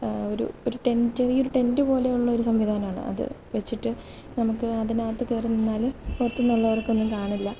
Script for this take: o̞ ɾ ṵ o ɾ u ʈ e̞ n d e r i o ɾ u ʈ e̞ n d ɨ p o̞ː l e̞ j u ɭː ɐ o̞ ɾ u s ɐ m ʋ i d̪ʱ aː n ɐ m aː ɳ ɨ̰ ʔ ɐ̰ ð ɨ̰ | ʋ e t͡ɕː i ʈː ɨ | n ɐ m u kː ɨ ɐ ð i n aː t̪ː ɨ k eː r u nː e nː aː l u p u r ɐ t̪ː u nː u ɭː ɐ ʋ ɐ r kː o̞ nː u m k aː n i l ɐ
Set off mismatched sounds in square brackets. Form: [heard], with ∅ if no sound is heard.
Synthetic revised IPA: o̞ ɾ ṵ o ɾ u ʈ e̞ n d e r i o ɾ u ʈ e̞ n d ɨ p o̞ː l e̞ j u ɭː ɐ o̞ ɾ u s ɐ m ʋ i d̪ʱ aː n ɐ m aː ɳ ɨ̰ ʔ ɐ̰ ð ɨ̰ | ʋ e t͡ɕː i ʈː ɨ | n ɐ m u kː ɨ ɐ ð i n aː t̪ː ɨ k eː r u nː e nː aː l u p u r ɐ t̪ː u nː u ɭː ɐ ʋ ɐ r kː o̞ nː u m k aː [ɳ] i [lː] ɐ